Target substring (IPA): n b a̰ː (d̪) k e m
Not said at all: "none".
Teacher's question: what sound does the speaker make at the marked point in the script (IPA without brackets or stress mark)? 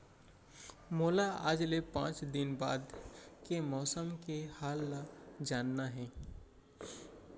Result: d̪